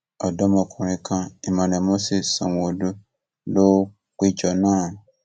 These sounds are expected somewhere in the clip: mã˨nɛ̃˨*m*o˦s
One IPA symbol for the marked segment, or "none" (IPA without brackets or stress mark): m